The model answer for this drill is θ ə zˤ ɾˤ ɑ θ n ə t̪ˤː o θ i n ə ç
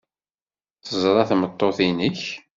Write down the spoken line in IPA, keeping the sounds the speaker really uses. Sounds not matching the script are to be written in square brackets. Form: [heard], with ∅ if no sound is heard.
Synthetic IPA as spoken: θ ə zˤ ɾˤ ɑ θ [m] ə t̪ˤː o θ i n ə ç